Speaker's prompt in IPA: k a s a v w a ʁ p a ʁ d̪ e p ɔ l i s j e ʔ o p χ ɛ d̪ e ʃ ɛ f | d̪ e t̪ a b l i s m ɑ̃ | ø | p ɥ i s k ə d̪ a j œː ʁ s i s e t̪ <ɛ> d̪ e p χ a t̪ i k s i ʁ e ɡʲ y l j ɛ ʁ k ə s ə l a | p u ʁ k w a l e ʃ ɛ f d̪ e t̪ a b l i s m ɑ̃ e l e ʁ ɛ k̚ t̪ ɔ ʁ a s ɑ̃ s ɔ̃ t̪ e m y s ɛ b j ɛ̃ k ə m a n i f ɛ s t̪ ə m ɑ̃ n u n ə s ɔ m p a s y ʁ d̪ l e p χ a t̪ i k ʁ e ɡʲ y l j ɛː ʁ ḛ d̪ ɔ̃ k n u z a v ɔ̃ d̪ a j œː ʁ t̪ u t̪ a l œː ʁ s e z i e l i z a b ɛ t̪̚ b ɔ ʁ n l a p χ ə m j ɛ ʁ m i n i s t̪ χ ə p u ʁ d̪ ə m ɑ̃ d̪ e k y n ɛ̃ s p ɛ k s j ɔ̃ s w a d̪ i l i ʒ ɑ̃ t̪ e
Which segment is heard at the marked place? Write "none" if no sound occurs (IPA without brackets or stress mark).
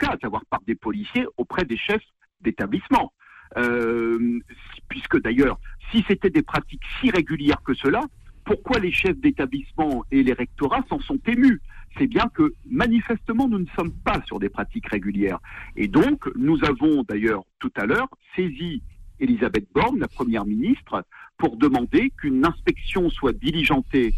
ɛ